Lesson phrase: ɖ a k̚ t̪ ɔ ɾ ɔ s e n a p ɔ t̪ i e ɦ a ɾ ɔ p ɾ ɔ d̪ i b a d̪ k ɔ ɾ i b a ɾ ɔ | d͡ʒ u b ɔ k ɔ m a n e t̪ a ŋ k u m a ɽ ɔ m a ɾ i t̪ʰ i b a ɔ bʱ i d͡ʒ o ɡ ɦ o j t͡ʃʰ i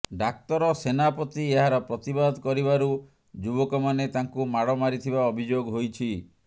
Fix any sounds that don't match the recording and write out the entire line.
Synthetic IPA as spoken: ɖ a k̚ t̪ ɔ ɾ ɔ s e n a p ɔ t̪ i e ɦ a ɾ ɔ p ɾ ɔ t̪ i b a d̪ k ɔ ɾ i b a ɾ u | d͡ʒ u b ɔ k ɔ m a n e t̪ a ŋ k u m a ɽ ɔ m a ɾ i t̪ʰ i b a ɔ bʱ i d͡ʒ o ɡ ɦ o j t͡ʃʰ i